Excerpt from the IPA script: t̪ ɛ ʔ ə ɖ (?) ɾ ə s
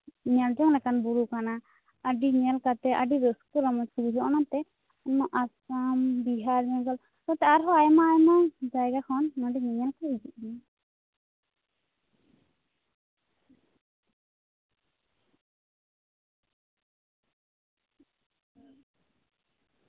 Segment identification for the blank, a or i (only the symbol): i